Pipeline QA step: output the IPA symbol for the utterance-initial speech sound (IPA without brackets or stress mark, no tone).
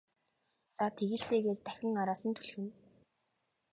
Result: t͡s